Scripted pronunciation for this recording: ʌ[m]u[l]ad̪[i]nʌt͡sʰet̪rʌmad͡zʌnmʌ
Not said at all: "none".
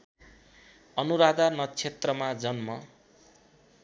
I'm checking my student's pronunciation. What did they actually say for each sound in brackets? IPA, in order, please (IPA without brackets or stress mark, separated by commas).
n, ɾ, a